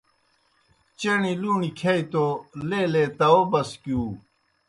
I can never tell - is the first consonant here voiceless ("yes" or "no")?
yes